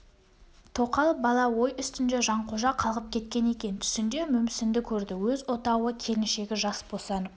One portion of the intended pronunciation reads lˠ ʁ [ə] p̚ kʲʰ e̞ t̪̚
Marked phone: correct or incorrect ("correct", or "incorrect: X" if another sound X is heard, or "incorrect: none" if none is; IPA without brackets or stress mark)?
correct